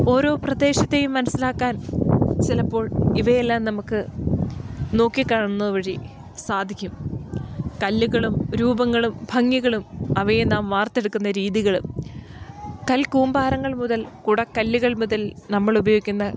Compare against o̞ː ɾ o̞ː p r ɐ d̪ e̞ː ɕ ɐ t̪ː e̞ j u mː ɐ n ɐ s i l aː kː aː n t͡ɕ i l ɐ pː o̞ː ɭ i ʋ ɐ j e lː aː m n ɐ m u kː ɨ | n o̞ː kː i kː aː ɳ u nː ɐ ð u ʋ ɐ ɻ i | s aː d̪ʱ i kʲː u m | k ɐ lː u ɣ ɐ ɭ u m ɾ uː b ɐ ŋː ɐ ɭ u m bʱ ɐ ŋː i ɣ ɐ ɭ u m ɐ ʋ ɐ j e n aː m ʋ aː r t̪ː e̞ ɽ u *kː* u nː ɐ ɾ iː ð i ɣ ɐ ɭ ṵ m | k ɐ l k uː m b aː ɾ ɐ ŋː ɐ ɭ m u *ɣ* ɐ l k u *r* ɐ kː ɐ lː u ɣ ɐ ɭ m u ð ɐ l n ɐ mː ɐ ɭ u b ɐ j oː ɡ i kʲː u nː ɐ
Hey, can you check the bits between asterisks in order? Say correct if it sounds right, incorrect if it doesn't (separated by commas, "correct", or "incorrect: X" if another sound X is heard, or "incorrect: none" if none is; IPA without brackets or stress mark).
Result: correct, incorrect: ð, incorrect: ɽ